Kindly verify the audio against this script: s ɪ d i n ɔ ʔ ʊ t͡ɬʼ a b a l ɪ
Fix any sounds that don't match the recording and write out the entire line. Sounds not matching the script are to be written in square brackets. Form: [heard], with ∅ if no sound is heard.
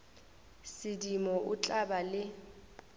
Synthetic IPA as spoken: s ɪ d i [m] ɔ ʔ ʊ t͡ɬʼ a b a l ɪ